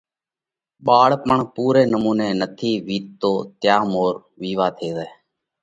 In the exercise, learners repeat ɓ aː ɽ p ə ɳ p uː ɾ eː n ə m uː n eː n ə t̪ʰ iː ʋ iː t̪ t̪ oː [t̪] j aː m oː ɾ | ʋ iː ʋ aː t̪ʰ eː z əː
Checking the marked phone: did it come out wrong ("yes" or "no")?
no